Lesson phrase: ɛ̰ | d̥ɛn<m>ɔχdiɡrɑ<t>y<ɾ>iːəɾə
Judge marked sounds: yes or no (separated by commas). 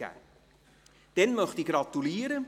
yes, yes, no